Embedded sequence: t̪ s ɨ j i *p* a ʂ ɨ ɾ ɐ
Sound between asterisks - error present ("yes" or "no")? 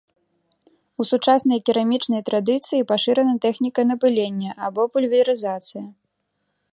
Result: no